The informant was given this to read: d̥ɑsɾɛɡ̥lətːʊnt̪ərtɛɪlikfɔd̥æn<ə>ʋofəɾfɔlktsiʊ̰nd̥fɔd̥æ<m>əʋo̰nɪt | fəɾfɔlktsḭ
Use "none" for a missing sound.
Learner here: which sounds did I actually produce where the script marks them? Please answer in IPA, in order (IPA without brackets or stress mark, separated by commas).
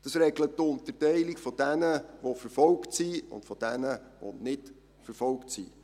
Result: ə, n